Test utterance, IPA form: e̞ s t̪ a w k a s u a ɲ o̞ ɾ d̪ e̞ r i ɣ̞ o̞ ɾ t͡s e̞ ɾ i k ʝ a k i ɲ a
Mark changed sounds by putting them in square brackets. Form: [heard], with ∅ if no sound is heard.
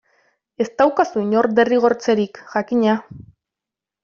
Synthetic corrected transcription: e̞ s t̪ a w k a s u [i] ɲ o̞ ɾ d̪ e̞ r i ɣ̞ o̞ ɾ t͡s e̞ ɾ i k ʝ a k i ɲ a